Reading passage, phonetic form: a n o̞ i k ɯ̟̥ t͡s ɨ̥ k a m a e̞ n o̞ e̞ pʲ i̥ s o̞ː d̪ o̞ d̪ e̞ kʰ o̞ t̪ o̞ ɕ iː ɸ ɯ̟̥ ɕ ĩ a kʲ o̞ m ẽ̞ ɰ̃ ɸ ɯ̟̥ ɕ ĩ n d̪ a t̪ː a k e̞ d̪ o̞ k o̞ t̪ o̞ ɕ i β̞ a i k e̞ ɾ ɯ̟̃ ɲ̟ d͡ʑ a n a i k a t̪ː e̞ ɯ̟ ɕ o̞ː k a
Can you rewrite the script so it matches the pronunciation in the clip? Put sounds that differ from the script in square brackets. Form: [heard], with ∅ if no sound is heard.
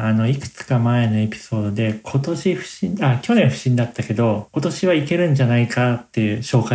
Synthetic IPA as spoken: a n o̞ i k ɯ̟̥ t͡s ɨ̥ k a m a e̞ n o̞ e̞ pʲ i̥ s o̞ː d̪ o̞ d̪ e̞ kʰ o̞ t̪ o̞ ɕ [i] ɸ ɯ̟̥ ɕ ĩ a kʲ o̞ [n] ẽ̞ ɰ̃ ɸ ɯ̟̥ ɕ ĩ n d̪ a t̪ː a k e̞ d̪ o̞ k o̞ t̪ o̞ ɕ i β̞ a i k e̞ ɾ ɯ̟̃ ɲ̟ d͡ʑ a n a i k a t̪ː e̞ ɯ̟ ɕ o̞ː k a